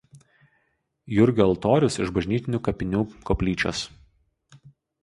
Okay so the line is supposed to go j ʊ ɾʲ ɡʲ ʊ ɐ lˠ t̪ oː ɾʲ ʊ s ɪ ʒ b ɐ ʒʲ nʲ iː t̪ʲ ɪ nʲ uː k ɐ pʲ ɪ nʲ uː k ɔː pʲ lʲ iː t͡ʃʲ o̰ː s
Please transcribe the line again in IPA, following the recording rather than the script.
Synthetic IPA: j ʊ ɾʲ ɡʲ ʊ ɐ lˠ t̪ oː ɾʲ ʊ s ɪ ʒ b ɐ ʒʲ nʲ iː t̪ʲ ɪ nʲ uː k ɐ pʲ ɪ nʲ uː k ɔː pʲ lʲ iː t͡ʃʲ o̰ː s